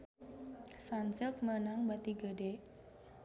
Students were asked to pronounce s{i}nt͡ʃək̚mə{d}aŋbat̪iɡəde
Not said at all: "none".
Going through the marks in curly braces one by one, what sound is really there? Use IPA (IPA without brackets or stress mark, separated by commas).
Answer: a, n